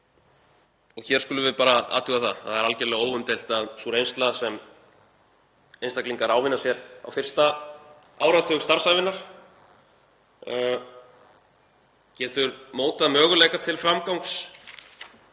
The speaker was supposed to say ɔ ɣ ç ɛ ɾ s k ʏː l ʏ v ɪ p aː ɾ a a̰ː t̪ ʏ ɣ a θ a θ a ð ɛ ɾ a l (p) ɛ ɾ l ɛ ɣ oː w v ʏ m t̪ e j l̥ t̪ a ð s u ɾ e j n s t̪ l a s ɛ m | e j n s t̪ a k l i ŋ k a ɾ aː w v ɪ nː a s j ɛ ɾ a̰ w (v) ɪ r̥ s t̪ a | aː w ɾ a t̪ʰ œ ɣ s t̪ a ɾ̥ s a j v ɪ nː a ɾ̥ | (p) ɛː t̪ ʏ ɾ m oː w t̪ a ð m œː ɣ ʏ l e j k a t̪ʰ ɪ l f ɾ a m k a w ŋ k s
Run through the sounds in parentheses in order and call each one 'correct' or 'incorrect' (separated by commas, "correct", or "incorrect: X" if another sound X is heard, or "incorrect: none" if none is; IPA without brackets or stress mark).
incorrect: c, incorrect: f, incorrect: c